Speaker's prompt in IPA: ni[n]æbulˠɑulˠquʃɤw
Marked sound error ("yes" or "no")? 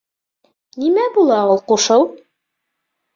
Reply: yes